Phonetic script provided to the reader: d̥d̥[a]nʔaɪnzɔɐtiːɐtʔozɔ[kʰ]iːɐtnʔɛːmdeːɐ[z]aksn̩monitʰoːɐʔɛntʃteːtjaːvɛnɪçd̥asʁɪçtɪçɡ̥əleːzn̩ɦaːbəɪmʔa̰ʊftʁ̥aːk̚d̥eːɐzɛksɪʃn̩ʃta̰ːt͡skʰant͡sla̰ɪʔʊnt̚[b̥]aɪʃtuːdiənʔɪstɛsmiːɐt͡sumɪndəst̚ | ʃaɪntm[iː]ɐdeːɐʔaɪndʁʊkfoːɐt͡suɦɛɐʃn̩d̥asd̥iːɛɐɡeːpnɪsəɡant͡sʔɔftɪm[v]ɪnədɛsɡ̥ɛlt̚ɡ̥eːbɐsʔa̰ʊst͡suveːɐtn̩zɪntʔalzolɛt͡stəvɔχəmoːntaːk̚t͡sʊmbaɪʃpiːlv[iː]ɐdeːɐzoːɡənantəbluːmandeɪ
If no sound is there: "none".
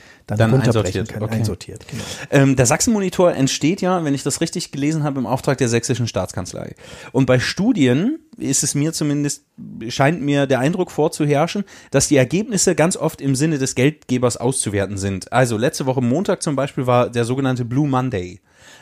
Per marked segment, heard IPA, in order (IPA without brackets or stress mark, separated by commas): a, tʰ, z, b̥, iː, z, aː